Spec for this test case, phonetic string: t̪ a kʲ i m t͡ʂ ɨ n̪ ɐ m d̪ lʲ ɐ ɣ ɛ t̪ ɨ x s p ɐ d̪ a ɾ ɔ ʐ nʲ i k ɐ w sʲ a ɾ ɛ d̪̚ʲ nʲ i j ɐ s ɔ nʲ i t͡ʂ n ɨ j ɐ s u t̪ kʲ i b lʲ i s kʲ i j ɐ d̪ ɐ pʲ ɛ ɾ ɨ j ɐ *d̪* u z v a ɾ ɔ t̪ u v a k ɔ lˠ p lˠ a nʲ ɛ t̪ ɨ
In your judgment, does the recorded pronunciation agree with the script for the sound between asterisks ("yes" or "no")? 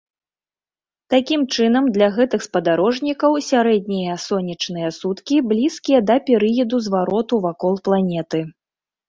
yes